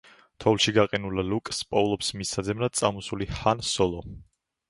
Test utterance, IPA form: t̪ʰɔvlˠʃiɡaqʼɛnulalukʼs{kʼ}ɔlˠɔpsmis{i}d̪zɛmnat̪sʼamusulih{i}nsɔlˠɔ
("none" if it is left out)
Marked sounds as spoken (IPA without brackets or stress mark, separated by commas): pʼ, a, a